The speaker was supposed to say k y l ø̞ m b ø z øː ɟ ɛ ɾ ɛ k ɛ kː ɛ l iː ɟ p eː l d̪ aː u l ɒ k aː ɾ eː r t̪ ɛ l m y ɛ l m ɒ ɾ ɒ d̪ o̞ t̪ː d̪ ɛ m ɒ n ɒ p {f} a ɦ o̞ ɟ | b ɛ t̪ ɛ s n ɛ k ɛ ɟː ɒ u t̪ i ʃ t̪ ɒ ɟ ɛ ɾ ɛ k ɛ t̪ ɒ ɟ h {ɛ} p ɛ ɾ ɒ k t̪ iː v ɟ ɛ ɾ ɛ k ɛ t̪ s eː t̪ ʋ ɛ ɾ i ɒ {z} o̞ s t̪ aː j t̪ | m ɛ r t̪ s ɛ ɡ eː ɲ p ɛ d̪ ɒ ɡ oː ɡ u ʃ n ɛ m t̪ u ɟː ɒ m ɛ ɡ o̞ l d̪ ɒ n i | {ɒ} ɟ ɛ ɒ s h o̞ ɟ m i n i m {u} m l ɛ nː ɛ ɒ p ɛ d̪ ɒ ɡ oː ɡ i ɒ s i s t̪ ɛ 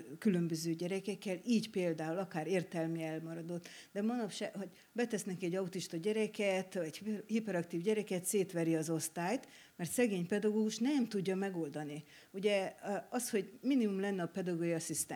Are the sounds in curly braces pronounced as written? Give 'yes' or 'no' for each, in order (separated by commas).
no, no, yes, no, yes